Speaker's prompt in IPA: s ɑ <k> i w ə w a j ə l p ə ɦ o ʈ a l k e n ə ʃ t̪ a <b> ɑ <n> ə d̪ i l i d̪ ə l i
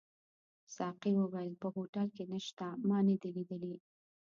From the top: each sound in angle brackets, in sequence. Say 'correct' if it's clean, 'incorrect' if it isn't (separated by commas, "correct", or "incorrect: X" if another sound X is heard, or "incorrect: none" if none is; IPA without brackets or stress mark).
incorrect: q, incorrect: m, correct